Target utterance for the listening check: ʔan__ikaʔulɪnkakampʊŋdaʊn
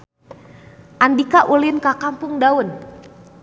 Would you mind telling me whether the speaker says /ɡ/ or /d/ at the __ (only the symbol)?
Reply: d